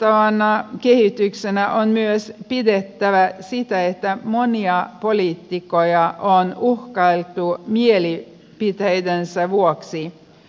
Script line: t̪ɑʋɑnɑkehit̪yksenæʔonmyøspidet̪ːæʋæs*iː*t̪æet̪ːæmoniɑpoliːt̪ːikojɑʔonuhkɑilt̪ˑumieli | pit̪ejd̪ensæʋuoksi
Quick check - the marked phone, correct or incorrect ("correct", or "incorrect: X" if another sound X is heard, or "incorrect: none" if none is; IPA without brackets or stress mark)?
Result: incorrect: i